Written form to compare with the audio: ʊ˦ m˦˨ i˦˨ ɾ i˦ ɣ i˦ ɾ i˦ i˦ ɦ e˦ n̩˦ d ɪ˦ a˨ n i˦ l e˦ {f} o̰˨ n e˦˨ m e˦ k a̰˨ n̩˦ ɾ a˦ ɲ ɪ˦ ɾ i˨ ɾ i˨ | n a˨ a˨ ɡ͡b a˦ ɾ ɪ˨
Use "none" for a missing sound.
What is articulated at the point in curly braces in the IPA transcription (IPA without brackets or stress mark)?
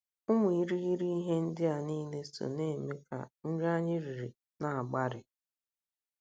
s